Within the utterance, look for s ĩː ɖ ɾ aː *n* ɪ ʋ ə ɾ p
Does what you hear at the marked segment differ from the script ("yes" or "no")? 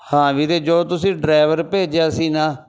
yes